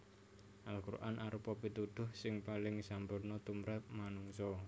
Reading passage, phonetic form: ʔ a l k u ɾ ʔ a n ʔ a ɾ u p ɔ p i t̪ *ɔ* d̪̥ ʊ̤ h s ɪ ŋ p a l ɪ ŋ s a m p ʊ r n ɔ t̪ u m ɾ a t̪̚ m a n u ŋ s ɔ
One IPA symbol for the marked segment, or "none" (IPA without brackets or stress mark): u